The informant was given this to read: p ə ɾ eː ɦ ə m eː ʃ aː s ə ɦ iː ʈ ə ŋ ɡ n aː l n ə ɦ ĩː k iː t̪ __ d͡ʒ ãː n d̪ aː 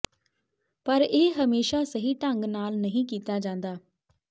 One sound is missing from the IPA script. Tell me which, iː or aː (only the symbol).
aː